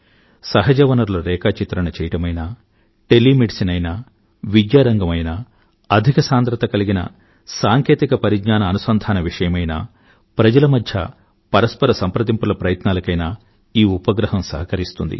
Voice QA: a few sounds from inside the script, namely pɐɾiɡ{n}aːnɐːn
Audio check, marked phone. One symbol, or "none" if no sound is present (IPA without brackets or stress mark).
ɲ